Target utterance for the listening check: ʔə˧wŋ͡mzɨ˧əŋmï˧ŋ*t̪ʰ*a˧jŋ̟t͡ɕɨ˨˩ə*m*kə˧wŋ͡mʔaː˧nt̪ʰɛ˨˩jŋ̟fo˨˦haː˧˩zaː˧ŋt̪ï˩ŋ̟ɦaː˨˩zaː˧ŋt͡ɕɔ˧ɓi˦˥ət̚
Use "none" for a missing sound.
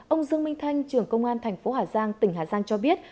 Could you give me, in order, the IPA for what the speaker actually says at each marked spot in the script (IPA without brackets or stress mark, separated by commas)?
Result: t̪ʰ, ŋ